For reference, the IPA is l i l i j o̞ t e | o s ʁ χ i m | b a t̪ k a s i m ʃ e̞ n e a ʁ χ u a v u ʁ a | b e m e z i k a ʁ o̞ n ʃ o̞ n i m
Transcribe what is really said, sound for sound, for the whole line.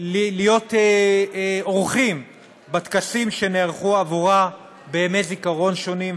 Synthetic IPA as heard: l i l i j o̞ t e | o ʁ χ i m | b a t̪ k a s i m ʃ e̞ n e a ʁ χ u a v u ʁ a | b e m e z i k a ʁ o̞ n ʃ o̞ n i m